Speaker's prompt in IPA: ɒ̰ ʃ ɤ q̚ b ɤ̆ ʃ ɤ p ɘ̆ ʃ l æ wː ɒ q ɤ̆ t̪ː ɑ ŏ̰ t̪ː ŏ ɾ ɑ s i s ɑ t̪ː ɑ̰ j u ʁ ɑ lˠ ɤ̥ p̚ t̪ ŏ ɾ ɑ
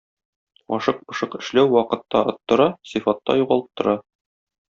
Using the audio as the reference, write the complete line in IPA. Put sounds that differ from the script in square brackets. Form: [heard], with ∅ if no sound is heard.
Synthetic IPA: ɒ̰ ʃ ɤ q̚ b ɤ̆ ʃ ɤ [q] ɘ̆ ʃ l æ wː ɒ q ɤ̆ t̪ː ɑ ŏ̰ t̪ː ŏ ɾ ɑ s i [f] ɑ t̪ː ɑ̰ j u ʁ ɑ lˠ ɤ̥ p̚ t̪ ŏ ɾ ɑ